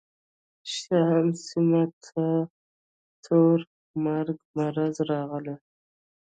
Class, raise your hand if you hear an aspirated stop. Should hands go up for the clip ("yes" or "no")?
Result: yes